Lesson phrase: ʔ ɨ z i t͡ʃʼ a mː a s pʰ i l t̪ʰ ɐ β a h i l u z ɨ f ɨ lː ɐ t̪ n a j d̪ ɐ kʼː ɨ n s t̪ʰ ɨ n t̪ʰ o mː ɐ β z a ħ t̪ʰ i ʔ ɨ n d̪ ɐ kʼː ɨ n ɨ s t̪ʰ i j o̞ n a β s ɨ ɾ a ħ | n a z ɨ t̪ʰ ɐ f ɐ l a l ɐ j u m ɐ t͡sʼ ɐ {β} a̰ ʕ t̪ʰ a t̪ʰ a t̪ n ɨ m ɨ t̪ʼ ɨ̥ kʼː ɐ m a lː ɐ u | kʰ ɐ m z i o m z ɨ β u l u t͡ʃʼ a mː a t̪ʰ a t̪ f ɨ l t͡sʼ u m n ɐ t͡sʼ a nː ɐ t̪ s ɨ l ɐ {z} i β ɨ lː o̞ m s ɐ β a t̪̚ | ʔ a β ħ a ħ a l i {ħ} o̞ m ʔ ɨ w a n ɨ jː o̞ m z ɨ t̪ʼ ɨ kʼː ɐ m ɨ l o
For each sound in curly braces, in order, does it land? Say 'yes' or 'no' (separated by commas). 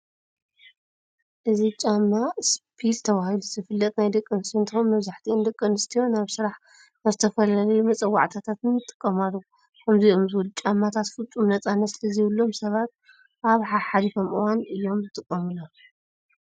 no, yes, no